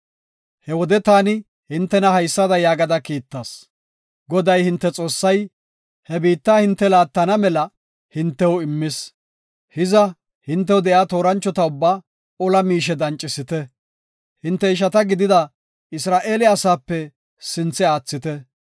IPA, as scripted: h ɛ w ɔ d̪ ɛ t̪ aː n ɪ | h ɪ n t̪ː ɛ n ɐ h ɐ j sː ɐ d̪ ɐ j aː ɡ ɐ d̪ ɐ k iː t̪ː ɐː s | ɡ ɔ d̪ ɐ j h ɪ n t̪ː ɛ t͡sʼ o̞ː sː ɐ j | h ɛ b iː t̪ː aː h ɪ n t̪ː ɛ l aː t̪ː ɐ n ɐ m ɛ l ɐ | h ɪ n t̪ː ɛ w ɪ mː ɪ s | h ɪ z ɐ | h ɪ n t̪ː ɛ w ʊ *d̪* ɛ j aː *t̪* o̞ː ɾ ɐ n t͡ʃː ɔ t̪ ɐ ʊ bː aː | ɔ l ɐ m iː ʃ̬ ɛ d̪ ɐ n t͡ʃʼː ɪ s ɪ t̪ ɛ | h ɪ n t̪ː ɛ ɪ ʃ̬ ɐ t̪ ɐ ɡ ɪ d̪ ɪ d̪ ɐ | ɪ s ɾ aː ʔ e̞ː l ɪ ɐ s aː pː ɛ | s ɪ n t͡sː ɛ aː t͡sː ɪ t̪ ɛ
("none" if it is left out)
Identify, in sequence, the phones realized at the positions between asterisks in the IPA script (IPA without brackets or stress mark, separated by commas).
d̪, t̪